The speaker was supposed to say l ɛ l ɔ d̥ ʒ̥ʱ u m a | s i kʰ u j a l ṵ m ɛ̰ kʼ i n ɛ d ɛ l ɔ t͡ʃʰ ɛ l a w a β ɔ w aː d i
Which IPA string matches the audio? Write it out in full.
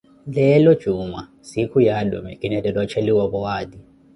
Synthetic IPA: l ɛ l ɔ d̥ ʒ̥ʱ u m a | s i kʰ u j a l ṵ m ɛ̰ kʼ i n ɛ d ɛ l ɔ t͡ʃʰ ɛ l i w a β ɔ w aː d i